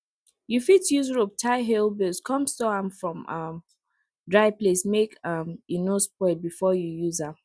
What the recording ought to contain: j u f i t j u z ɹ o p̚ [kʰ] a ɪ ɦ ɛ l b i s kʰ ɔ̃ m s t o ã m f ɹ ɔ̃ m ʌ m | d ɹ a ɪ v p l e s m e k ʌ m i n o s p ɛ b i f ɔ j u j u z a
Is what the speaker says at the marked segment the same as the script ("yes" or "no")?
no